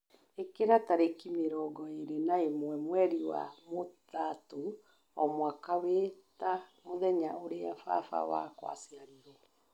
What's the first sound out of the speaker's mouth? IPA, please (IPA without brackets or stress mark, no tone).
e